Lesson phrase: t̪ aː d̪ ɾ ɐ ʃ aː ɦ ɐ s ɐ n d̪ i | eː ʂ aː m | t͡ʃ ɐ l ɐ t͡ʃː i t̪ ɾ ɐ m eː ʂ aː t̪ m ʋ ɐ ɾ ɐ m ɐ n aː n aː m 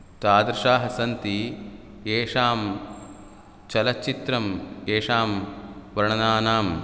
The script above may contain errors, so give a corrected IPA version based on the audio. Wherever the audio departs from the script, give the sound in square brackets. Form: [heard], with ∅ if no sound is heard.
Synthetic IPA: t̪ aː d̪ ɾ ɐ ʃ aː ɦ ɐ s ɐ n [t̪] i | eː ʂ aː m | t͡ʃ ɐ l ɐ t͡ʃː i t̪ ɾ ɐ m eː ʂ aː [∅] m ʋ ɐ ɾ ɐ [ɳ] ɐ n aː n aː m